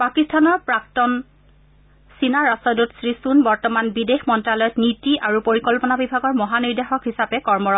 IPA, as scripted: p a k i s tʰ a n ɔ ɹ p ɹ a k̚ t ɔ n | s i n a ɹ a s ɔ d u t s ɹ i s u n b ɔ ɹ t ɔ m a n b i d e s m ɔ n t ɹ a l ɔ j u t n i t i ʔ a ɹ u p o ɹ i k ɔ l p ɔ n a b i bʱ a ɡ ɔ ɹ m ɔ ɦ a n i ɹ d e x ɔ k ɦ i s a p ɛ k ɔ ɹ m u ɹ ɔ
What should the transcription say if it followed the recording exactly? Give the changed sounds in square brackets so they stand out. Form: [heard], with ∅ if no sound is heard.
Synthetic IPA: p a k i s tʰ a n ɔ ɹ p ɹ a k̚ t ɔ n | s i n a ɹ a s ɔ d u t s ɹ i s u n b ɔ ɹ t ɔ m a n b i d e [x] m ɔ n t ɹ a l ɔ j [ɔ] t n i t i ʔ a ɹ u p o ɹ i k ɔ l p ɔ n a b i bʱ a ɡ ɔ ɹ m ɔ ɦ a n i ɹ d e x ɔ k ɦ i s a p ɛ k ɔ ɹ m [ɔ] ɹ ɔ